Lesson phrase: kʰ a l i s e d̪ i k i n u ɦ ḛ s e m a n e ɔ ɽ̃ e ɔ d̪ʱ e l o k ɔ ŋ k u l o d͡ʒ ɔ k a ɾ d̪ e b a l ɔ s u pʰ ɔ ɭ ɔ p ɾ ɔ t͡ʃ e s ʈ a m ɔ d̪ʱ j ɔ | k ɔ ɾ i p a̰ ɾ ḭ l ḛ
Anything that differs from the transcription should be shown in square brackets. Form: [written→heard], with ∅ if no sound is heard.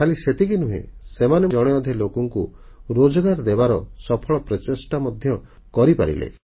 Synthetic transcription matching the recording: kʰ a l i s e [d̪→t̪] i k i n u ɦ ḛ s e m a n e ɔ ɽ̃ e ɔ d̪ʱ e l o k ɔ ŋ k u [l→ɾ] o d͡ʒ ɔ [k→ɡ] a ɾ d̪ e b a [l→ɾ] ɔ s [u→ɔ] pʰ ɔ ɭ ɔ p ɾ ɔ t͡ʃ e s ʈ a m ɔ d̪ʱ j ɔ | k ɔ ɾ i p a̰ ɾ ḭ l ḛ